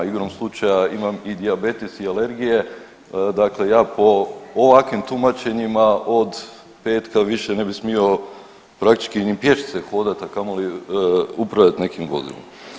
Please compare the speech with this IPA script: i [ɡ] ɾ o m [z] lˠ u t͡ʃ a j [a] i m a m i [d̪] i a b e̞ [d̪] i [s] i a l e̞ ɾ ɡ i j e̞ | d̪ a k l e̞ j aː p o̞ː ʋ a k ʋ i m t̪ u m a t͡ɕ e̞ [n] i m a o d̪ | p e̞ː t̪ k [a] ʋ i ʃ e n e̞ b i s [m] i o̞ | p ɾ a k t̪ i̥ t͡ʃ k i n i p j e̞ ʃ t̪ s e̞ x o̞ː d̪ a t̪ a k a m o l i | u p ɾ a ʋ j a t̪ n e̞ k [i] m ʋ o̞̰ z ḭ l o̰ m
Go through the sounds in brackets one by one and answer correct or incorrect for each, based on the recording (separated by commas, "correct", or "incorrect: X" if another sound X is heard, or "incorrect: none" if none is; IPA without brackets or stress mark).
correct, incorrect: s, correct, correct, incorrect: t̪, correct, incorrect: ɲ, correct, correct, correct